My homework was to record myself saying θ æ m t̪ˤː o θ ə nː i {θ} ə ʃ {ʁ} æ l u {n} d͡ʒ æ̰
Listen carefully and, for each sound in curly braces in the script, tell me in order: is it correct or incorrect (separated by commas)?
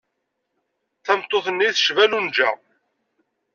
correct, incorrect, correct